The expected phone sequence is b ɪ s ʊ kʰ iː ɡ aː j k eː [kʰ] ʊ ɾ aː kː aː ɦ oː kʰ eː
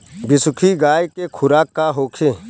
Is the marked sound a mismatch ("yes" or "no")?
no